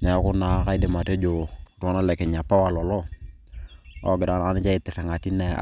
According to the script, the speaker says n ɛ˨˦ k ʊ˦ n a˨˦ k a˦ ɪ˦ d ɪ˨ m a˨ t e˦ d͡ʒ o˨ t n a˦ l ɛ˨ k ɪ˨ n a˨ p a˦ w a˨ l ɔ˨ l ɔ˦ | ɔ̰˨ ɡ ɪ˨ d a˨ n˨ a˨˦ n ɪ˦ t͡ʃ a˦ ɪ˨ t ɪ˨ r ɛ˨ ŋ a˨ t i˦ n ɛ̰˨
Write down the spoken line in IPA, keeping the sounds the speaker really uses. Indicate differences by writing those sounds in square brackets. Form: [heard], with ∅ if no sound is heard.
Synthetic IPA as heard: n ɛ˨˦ k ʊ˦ n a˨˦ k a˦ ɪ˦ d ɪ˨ m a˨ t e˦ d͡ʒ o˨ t n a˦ l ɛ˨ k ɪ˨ [ɲ] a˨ p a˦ w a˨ l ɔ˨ l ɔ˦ | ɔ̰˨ ɡ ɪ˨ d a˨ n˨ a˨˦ n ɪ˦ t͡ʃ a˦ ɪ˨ t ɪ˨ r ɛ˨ ŋ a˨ t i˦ n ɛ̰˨